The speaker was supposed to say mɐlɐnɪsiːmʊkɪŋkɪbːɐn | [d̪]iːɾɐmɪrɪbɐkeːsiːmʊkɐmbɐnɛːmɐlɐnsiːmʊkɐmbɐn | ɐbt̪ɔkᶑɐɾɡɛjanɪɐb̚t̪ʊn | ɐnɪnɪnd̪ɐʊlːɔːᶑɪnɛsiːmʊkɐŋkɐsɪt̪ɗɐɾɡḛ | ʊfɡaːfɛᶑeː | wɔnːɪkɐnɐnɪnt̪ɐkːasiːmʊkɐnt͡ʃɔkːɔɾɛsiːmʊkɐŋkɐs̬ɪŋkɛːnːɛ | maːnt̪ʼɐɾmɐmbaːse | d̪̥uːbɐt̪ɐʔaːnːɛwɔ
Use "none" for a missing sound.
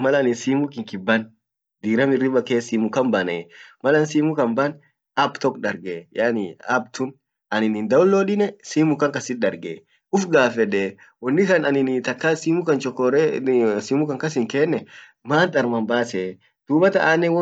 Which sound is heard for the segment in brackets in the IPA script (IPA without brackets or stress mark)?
d̪